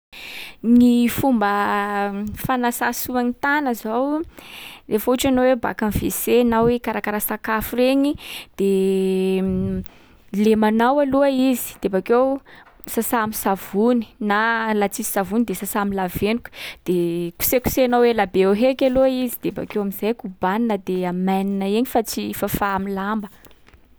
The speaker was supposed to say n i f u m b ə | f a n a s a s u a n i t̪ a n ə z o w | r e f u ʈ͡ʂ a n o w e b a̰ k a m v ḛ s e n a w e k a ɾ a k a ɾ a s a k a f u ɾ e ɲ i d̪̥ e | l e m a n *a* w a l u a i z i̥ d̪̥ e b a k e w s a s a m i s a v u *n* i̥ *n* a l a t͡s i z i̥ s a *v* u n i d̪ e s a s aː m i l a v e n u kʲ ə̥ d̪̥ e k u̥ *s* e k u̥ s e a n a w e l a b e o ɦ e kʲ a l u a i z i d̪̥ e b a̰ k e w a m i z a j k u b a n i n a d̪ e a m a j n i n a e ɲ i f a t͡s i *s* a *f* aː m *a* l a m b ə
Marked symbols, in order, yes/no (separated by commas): yes, yes, yes, yes, yes, no, yes, no